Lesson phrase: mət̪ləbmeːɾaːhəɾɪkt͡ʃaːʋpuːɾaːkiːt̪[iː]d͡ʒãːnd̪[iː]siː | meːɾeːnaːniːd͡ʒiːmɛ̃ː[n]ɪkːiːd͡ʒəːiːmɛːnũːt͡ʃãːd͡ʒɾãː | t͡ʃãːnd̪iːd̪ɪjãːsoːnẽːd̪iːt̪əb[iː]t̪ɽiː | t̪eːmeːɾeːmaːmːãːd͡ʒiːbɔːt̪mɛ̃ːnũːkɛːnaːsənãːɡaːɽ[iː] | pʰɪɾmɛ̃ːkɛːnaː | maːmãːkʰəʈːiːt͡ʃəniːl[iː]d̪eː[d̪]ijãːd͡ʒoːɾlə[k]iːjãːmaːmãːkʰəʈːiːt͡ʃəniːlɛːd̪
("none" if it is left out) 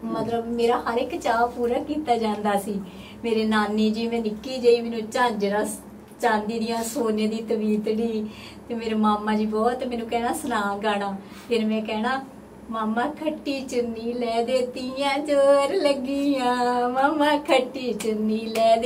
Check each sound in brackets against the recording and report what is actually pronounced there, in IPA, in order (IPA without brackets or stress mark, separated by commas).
aː, aː, n, iː, aː, ɛː, t̪, ɡ